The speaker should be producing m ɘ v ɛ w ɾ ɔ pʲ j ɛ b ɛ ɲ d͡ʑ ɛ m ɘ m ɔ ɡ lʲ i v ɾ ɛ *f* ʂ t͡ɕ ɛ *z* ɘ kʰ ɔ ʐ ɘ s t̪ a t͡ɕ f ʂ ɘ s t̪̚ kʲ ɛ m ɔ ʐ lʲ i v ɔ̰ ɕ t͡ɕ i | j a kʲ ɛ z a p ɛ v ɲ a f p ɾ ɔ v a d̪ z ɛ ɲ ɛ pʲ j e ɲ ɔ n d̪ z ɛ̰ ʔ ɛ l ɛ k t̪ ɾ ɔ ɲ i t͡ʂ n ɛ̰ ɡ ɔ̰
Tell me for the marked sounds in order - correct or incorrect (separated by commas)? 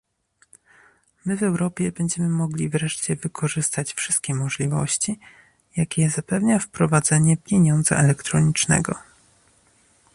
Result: incorrect, incorrect